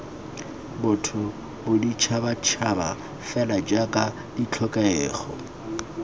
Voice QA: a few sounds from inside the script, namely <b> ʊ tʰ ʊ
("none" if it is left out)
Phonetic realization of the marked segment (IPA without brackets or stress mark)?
b